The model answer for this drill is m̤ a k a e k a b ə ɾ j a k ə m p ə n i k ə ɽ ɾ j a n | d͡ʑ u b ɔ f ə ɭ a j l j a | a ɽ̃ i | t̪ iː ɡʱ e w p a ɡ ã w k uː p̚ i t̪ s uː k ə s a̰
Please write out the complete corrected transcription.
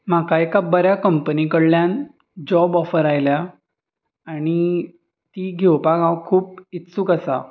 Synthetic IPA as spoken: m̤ a k a e k a b ə ɾ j a k ə m p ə n i k ə ɽ l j a n | d͡ʑ ɔ b ɔ f ə ɾ a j l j a | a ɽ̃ i | t̪ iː ɡʱ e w p a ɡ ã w kʰ uː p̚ i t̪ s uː k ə s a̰